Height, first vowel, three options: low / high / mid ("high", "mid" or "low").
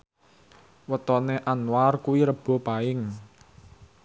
mid